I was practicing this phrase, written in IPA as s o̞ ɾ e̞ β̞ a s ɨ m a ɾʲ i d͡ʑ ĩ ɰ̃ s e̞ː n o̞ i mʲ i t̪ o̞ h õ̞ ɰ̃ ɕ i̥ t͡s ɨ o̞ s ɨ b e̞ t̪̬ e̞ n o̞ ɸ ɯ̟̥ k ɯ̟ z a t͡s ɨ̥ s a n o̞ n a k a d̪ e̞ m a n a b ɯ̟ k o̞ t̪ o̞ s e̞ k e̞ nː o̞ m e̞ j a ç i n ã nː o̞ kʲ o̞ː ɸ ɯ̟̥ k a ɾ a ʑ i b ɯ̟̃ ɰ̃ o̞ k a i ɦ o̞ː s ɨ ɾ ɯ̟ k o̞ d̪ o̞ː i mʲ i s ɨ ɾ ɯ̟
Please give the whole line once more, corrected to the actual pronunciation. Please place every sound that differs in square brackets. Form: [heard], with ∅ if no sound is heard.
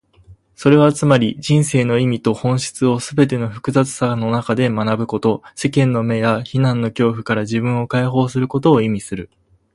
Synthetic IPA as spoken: s o̞ ɾ e̞ β̞ a [t͡s] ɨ m a ɾʲ i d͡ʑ ĩ ɰ̃ s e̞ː n o̞ i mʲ i t̪ o̞ h õ̞ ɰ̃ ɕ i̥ t͡s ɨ o̞ s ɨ b e̞ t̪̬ e̞ n o̞ ɸ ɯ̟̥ k ɯ̟ z a t͡s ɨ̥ s a n o̞ n a k a d̪ e̞ m a n a b ɯ̟ k o̞ t̪ o̞ s e̞ k [ẽ̞] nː o̞ m e̞ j a ç i n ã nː o̞ kʲ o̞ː ɸ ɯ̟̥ k a ɾ a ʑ i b ɯ̟̃ ɰ̃ o̞ k a i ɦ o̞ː s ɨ ɾ ɯ̟ k o̞ [t̪] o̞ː i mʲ i s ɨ ɾ ɯ̟